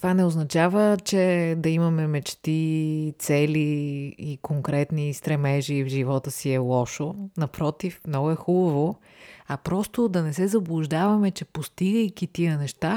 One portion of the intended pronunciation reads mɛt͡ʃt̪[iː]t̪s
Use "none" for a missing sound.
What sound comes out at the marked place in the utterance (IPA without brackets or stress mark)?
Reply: i